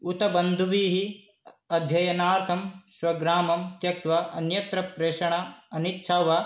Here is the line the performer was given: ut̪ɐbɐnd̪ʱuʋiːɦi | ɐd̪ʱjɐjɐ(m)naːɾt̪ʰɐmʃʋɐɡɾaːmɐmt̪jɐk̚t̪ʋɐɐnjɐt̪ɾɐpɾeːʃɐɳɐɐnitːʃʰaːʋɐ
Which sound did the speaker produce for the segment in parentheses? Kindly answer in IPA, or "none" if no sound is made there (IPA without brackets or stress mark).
none